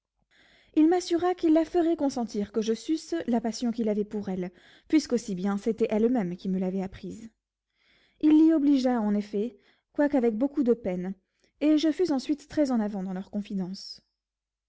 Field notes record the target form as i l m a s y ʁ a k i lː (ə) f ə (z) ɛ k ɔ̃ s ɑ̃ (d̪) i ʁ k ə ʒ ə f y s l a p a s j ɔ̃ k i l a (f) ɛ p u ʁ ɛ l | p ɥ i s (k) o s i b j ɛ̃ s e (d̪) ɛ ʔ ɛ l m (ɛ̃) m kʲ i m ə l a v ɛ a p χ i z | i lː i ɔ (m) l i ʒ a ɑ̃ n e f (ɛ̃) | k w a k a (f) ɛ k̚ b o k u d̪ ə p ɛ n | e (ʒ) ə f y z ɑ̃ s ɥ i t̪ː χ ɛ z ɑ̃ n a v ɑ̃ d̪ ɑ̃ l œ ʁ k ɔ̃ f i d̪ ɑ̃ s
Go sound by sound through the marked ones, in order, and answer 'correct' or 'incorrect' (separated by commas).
incorrect, incorrect, incorrect, incorrect, correct, incorrect, incorrect, incorrect, incorrect, incorrect, correct